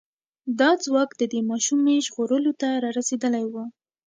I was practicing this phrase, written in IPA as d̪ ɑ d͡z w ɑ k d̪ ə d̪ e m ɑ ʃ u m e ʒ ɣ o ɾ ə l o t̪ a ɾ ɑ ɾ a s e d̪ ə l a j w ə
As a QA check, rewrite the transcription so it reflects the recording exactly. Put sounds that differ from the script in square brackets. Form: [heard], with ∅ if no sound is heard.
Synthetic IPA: d̪ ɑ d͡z w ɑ k d̪ ə d̪ e m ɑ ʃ u m e ʒ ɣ o ɾ ə l o t̪ a ɾ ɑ ɾ a s e d̪ ə l a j w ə